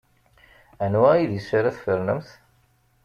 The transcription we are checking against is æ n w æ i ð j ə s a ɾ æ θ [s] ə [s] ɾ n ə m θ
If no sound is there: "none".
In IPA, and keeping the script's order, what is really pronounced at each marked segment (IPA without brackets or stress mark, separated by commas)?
f, none